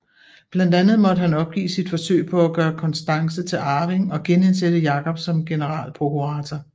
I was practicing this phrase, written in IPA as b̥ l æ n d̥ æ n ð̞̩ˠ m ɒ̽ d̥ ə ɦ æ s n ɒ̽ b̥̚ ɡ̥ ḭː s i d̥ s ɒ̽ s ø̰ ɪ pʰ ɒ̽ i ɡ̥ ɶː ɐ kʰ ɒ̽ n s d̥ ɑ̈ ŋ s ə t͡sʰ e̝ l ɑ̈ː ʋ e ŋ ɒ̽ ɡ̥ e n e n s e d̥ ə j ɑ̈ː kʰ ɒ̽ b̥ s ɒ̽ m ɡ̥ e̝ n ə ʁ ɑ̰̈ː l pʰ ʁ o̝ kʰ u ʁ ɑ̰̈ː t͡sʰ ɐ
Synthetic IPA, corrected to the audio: b̥ l æ n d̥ æ n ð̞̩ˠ m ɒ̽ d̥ ə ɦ æ n ɒ̽ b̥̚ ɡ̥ ḭː s i d̥ f ɒ̽ s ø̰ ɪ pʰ ɒ̽ æ ɡ̥ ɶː ɐ kʰ ɒ̽ n s d̥ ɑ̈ ŋ s ə t͡sʰ e̝ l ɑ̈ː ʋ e ŋ ɒ̽ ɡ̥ e n e n s e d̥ ə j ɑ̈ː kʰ ɒ̽ b̥ s ɒ̽ m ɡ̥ e̝ n ə ʁ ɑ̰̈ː l pʰ ʁ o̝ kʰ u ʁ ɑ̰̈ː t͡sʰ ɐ